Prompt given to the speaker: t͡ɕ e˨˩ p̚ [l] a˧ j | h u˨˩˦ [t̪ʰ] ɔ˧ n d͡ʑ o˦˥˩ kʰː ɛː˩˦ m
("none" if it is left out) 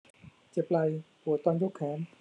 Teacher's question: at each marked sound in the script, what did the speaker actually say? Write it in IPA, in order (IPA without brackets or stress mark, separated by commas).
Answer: l, t̪